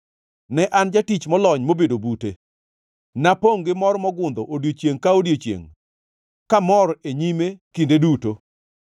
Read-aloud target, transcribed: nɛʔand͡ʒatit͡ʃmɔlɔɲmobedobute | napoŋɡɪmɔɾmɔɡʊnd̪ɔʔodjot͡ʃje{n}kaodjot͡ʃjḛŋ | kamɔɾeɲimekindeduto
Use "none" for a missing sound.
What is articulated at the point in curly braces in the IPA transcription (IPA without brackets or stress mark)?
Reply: ŋ